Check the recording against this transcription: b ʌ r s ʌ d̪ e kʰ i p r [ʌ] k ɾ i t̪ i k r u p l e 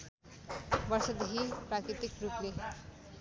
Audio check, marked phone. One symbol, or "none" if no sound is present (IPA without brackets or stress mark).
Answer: a